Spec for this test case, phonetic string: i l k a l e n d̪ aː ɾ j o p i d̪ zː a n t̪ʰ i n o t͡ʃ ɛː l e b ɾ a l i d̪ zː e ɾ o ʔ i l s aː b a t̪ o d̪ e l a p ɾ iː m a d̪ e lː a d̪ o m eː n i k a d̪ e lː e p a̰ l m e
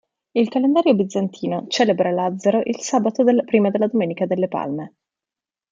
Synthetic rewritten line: i l k a l e n d̪ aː ɾ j o b i d̪ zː a n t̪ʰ iː n o t͡ʃ ɛː l e b ɾ a l a d̪ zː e ɾ o ʔ i l s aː b a t̪ o d̪ e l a p ɾ iː m a d̪ e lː a d̪ o m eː n i k a d̪ e lː e p a̰ l m e